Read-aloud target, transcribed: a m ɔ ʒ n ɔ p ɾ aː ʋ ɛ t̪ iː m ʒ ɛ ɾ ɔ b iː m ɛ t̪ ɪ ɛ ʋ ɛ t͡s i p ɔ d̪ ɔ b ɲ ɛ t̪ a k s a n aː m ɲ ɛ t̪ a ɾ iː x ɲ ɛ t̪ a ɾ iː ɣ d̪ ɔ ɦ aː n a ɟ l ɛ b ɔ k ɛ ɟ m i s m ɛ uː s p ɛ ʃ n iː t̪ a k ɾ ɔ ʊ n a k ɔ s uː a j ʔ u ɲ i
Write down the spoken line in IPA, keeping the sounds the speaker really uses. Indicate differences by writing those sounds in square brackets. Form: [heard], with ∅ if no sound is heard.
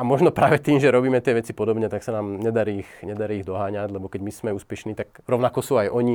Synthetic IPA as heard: a m ɔ ʒ n ɔ p ɾ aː ʋ ɛ t̪ iː m ʒ ɛ ɾ ɔ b iː m ɛ t̪ ɪ ɛ ʋ ɛ t͡s i p ɔ d̪ ɔ b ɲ ɛ t̪ a k s a n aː m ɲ ɛ [d̪] a ɾ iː x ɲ ɛ [d̪] a ɾ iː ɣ d̪ ɔ ɦ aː [ɲ] a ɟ l ɛ b ɔ k ɛ ɟ m i s m ɛ uː s p ɛ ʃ n iː t̪ a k ɾ ɔ ʊ n a k ɔ s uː a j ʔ [ɔ] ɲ i